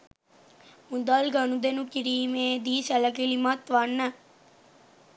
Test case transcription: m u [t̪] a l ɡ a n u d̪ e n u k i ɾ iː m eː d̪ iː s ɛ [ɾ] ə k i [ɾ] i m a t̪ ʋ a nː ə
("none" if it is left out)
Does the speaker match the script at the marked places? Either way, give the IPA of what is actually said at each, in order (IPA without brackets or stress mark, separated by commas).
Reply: d̪, l, l